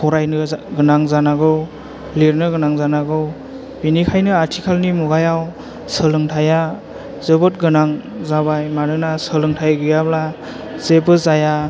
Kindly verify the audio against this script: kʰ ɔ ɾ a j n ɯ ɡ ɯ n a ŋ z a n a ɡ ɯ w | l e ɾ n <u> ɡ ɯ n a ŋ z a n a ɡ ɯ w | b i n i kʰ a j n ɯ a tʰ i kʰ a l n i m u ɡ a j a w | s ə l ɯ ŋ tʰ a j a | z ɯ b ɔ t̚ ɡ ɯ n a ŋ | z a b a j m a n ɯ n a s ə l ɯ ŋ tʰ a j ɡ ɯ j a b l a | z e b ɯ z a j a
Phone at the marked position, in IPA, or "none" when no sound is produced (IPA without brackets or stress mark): ɯ